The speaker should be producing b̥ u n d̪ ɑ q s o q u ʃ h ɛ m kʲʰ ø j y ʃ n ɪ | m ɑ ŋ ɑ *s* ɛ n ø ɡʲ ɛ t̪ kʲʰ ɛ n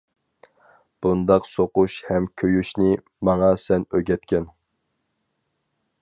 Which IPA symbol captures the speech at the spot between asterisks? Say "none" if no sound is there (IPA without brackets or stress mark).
s